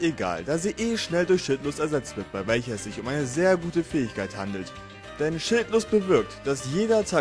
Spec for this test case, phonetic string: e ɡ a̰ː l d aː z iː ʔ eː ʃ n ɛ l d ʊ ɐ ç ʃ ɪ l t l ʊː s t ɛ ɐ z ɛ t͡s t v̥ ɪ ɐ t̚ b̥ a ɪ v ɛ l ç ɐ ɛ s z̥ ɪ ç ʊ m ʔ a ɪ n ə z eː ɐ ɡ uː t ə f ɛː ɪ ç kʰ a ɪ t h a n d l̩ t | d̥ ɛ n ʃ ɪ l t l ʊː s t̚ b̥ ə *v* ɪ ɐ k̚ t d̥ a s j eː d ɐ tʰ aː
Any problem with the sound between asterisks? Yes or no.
no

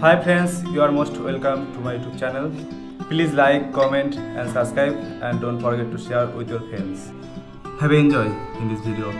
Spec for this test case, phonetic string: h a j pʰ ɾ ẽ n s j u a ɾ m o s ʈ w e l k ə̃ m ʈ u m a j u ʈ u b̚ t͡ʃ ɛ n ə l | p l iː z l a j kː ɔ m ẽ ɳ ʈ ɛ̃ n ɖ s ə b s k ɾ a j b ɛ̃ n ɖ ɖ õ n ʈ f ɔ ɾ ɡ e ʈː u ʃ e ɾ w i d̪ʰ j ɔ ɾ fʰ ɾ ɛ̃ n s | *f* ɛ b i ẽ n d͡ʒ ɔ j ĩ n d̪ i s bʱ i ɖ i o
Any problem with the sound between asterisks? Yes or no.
yes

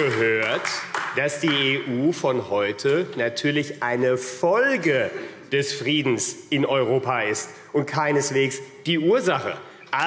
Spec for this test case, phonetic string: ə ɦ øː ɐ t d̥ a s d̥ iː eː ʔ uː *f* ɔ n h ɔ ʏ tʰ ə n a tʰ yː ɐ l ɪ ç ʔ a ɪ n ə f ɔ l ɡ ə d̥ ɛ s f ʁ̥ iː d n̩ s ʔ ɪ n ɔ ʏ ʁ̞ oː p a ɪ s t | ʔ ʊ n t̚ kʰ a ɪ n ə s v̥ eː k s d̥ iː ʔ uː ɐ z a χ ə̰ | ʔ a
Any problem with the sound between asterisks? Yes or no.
no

